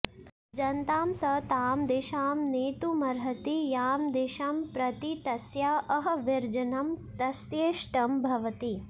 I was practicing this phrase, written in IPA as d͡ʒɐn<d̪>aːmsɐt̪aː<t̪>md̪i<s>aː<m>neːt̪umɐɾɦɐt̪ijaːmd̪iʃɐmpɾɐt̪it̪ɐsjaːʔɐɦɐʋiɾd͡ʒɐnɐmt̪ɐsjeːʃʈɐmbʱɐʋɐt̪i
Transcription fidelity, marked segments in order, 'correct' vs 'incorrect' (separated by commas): incorrect, incorrect, incorrect, correct